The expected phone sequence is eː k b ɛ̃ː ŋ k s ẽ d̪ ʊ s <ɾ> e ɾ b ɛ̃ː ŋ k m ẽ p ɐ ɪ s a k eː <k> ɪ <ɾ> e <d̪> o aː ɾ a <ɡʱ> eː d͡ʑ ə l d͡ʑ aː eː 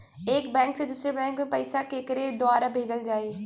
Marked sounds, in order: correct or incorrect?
correct, correct, correct, correct, incorrect: bʱ

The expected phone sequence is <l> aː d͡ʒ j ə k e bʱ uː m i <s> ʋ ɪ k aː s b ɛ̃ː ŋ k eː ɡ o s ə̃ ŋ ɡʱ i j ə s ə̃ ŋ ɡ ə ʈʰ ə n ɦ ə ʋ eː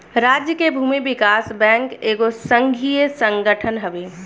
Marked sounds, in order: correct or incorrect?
incorrect: ɾ, incorrect: none

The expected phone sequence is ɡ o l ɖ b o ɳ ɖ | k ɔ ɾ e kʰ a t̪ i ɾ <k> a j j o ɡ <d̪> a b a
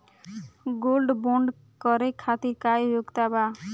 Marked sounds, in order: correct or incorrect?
correct, incorrect: t̪

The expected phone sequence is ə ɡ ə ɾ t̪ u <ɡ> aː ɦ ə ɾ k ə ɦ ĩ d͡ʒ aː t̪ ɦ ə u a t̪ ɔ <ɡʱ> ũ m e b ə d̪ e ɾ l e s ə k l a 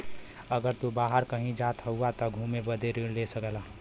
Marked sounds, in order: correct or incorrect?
incorrect: b, correct

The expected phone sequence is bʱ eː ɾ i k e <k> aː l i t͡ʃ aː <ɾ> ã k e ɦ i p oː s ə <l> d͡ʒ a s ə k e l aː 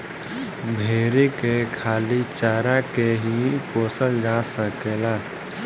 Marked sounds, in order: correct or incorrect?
incorrect: kʰ, correct, correct

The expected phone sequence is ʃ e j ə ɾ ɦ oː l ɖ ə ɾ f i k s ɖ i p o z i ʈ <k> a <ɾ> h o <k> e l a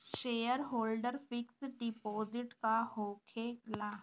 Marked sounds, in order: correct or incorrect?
correct, incorrect: none, incorrect: kʰ

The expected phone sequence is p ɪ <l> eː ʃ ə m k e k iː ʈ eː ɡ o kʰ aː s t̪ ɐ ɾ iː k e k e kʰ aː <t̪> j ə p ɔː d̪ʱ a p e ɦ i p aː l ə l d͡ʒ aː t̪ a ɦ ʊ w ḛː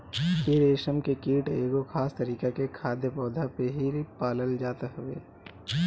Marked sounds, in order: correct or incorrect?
incorrect: ɾ, incorrect: d̪

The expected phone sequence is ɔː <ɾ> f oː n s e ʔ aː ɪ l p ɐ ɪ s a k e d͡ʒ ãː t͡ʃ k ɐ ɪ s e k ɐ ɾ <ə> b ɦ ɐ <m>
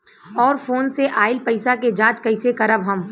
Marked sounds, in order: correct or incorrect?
correct, correct, correct

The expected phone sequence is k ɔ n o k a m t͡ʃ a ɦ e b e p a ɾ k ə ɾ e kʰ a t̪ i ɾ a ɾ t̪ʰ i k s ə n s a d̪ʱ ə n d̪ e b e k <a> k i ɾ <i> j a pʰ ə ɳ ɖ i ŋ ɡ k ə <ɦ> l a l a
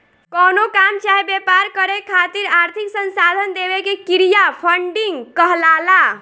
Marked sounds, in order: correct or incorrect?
incorrect: e, correct, correct

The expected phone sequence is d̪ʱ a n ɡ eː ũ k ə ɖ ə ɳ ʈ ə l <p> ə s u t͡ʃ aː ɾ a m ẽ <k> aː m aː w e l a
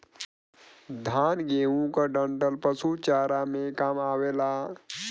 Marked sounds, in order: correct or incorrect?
correct, correct

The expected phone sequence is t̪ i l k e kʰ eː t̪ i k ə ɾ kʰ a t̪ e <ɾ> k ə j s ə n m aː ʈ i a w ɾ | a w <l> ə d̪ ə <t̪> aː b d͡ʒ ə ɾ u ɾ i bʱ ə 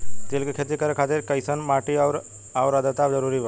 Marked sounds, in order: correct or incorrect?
correct, incorrect: ɾ, correct

